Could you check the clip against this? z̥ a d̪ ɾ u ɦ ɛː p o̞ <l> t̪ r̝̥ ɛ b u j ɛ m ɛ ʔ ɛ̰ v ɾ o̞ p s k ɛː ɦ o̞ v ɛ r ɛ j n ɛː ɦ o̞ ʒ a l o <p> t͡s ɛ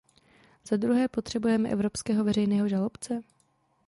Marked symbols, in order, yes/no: no, yes

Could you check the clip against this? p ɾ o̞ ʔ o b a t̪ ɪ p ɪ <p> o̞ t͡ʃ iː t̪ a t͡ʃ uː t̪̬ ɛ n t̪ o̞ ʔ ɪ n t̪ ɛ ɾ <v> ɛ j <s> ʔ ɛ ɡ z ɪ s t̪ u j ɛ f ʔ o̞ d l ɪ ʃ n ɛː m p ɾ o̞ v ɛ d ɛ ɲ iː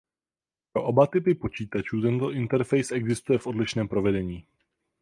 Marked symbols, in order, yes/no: yes, no, yes

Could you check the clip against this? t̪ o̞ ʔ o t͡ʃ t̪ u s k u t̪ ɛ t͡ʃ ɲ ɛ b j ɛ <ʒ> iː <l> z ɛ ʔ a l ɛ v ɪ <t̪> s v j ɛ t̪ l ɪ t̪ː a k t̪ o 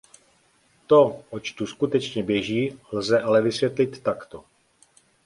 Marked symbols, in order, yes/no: yes, yes, no

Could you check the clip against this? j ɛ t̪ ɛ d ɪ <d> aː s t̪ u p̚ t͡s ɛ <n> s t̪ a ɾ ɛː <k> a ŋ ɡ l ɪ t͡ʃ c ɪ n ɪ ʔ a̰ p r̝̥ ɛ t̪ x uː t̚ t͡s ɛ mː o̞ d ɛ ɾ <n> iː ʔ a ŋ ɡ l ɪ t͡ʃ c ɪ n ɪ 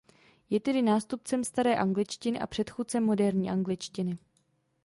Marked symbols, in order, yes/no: no, no, no, no

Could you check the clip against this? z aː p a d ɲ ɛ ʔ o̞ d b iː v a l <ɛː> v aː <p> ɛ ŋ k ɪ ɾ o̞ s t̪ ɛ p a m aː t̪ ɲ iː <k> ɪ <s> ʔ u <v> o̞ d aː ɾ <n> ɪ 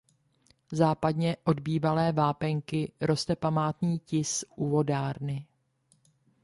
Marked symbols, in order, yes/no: yes, yes, no, yes, yes, yes

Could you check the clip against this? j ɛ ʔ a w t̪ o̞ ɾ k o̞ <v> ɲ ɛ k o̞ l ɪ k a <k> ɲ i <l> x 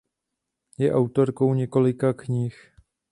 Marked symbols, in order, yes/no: no, yes, no

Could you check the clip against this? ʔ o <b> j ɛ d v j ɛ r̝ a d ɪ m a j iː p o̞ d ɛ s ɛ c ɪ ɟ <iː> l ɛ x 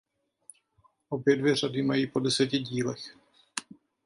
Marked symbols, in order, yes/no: yes, yes

